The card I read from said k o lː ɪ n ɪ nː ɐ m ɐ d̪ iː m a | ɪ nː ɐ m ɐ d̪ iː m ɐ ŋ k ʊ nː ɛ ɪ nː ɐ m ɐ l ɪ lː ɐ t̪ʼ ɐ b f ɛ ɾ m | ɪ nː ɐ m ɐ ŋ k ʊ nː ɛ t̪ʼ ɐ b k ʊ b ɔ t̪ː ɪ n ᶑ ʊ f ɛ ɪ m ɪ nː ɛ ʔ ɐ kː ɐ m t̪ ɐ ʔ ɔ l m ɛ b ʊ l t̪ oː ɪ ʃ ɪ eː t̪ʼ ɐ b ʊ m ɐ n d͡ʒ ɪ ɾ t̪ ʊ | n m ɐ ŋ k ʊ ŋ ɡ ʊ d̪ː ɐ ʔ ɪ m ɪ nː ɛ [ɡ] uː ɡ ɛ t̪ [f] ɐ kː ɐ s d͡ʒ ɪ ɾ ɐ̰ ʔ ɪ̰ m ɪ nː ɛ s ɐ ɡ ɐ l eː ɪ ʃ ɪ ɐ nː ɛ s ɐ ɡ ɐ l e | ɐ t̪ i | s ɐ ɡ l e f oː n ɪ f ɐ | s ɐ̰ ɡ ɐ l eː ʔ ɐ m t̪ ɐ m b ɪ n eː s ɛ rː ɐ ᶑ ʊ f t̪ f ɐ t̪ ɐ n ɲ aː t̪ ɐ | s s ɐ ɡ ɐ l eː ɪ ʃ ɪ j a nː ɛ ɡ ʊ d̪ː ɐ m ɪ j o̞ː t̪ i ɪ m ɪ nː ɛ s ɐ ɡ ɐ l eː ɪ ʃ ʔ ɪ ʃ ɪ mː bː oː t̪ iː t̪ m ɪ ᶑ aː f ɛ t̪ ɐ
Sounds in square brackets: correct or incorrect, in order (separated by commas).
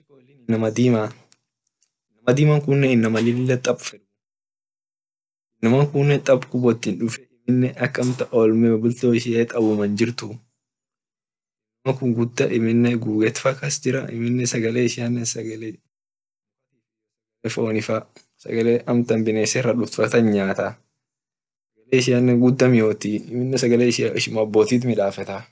correct, correct